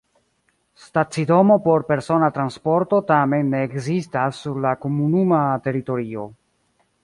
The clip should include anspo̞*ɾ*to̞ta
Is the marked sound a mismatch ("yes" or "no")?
no